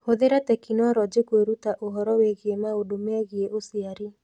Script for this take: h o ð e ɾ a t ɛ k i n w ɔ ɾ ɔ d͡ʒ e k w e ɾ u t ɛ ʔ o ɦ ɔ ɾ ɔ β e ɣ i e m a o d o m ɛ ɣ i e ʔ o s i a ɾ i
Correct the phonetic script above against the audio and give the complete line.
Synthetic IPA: h o ð e ɾ a t ɛ k i n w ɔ ɾ ɔ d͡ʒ e k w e ɾ u t a ʔ o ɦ ɔ ɾ ɔ w e ɣ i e m a o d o m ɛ ɣ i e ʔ o s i a ɾ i